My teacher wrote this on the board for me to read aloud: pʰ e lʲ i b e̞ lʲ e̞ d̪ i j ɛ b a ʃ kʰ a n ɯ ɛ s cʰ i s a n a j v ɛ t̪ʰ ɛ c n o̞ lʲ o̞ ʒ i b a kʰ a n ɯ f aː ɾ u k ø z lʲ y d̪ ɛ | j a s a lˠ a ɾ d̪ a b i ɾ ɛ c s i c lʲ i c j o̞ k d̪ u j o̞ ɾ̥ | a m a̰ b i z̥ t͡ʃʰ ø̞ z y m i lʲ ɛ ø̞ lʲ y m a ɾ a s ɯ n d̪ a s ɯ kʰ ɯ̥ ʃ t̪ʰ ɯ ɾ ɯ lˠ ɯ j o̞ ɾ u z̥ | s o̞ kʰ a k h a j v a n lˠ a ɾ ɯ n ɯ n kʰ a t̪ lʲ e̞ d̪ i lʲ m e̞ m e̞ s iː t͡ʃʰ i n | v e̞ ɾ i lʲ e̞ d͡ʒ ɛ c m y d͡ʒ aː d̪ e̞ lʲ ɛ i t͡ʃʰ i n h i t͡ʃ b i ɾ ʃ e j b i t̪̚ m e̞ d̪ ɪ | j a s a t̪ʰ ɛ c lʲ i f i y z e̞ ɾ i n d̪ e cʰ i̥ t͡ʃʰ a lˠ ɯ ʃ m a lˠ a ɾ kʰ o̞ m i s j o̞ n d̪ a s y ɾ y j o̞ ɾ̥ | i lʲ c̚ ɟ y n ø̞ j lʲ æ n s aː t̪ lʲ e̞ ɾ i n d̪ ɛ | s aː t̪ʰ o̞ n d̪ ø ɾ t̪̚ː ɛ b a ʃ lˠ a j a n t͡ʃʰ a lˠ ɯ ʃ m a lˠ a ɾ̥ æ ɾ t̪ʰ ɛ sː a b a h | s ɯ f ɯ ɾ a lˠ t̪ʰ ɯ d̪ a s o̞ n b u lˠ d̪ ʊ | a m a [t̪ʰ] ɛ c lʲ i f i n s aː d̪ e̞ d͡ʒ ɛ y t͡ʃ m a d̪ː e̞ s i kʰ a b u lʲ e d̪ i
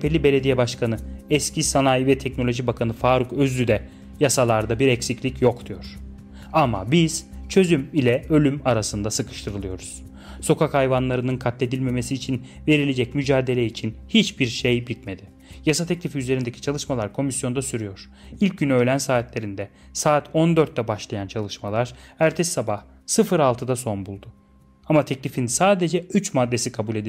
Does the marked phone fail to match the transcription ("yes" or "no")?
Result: no